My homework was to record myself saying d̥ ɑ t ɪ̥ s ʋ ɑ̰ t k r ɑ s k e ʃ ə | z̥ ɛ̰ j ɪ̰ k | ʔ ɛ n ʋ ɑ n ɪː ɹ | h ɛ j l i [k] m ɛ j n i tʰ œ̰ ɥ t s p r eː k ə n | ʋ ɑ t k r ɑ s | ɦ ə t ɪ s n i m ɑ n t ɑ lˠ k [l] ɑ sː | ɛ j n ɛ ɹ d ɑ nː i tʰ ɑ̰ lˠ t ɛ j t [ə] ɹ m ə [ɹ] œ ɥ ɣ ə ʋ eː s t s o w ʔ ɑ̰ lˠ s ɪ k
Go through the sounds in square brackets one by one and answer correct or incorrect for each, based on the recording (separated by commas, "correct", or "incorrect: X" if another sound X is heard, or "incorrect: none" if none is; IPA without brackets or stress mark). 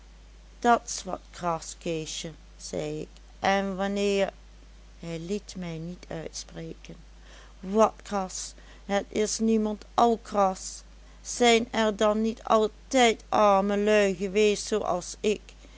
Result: incorrect: t, incorrect: r, incorrect: ɑ, incorrect: l